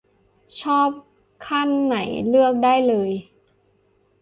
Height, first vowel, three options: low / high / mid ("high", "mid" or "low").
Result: mid